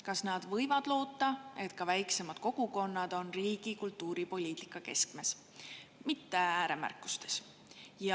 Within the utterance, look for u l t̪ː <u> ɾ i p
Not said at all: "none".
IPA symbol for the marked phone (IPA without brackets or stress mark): uː